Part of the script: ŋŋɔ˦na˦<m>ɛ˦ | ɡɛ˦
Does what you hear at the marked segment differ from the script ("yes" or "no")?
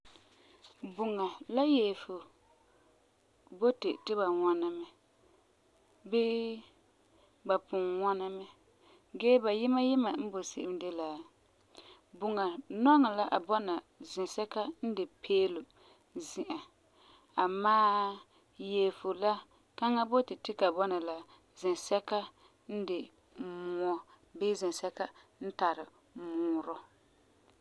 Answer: no